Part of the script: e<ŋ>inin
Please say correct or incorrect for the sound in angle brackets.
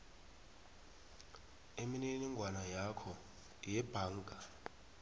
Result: incorrect